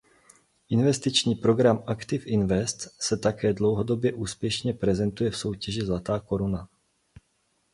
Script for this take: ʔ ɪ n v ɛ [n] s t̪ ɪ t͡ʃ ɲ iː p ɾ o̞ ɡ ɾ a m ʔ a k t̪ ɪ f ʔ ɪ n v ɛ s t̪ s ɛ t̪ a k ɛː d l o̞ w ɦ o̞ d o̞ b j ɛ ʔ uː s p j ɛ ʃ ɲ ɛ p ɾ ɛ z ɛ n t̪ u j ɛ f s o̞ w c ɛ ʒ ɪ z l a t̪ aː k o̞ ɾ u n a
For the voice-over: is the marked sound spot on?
no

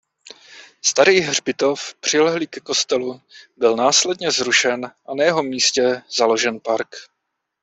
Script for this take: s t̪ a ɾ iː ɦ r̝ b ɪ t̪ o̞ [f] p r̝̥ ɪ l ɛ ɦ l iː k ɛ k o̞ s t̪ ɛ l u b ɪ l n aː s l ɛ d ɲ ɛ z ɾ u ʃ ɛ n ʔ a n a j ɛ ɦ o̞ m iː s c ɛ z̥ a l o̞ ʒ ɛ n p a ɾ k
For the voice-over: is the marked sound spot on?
yes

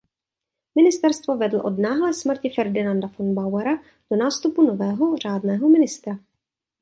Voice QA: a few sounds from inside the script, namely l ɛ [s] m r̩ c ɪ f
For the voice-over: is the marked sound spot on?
yes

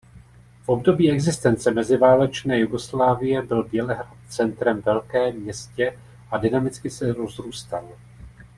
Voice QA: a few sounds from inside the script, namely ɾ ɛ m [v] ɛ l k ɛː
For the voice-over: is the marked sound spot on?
yes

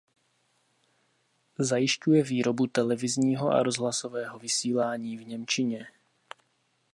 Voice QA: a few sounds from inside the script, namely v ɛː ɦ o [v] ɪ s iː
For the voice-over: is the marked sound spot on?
yes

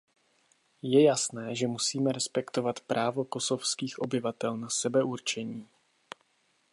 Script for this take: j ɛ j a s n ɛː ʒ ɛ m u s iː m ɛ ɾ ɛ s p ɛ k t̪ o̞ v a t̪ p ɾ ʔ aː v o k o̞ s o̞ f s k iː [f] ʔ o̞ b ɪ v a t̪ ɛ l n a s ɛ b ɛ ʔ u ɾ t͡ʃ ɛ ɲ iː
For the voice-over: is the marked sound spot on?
no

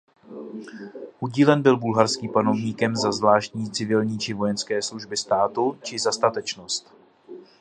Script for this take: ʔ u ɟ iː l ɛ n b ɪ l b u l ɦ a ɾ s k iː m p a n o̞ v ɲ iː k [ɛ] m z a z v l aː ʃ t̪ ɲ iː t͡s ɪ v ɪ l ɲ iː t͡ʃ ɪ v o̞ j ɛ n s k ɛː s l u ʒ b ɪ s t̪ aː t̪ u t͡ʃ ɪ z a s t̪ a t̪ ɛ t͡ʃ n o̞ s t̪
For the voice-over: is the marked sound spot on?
yes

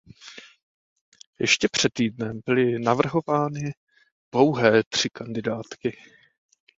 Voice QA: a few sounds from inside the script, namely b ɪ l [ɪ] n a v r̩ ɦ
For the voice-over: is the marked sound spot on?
yes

